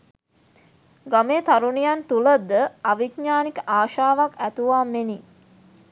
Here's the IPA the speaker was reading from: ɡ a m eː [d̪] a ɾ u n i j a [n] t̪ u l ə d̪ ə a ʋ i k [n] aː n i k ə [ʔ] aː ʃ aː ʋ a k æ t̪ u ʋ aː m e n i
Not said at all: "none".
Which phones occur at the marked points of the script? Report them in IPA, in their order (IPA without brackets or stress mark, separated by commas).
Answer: t̪, n, ɲ, ʔ